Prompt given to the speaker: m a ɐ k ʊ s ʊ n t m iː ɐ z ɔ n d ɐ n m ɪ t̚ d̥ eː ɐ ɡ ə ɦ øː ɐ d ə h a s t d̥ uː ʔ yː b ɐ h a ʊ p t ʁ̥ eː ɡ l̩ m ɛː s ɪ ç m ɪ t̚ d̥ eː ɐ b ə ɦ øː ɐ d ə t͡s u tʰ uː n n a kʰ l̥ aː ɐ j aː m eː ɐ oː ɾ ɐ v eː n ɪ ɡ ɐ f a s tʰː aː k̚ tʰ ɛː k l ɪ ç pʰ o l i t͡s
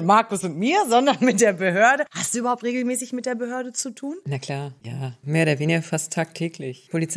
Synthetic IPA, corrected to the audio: m a ɐ k ʊ s ʊ n t m iː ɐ z ɔ n d ɐ n m ɪ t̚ d̥ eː ɐ b ə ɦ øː ɐ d ə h a s t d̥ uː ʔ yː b ɐ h a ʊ p t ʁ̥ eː ɡ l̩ m ɛː s ɪ ç m ɪ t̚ d̥ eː ɐ b ə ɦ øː ɐ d ə t͡s u tʰ uː n n a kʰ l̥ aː ɐ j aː m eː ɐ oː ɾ ɐ v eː n ɪ ɡ ɐ f a s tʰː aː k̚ tʰ ɛː k l ɪ ç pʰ o l i t͡s